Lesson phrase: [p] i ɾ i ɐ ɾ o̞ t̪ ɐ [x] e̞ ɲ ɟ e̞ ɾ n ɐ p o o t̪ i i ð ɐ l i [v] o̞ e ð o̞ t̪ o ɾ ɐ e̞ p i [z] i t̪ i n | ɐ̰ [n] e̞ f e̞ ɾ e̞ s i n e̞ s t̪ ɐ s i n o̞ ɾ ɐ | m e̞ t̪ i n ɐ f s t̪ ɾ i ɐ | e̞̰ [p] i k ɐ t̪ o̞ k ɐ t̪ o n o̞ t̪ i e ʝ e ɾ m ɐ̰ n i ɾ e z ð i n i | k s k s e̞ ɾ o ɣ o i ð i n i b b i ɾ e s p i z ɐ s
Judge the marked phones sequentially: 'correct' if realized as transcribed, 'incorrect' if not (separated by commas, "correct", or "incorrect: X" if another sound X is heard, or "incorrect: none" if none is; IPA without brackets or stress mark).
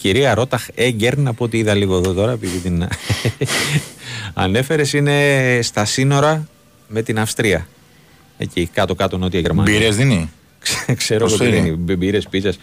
incorrect: c, correct, incorrect: ɣ, incorrect: ð, correct, incorrect: c